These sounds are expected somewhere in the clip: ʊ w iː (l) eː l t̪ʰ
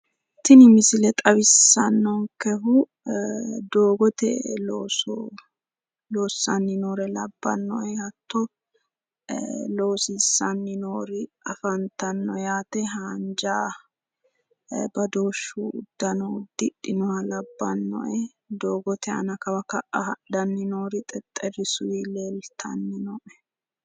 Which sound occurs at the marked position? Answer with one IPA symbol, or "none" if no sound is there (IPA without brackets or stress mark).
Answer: l